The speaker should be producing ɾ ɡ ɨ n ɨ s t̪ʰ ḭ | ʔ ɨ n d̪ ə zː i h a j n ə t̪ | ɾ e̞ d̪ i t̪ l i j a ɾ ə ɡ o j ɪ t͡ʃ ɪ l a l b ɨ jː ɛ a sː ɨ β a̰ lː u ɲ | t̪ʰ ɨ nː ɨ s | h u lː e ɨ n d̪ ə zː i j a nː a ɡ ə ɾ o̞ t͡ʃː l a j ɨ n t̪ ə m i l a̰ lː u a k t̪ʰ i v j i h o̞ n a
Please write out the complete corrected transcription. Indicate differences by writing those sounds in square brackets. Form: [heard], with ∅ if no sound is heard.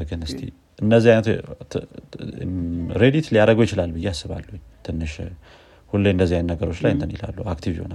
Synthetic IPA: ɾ ɡ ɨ n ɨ s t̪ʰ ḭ | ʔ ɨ n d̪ ə zː i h a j n ə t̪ | ɾ e̞ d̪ i t̪ l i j a ɾ ə ɡ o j ɪ t͡ʃ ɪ l a l b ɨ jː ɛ a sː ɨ β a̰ lː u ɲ | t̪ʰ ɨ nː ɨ [ʃ] | h u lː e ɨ n d̪ ə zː i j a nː [ə] ɡ ə ɾ o̞ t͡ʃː l a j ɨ n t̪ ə [n] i l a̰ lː u a k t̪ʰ i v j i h o̞ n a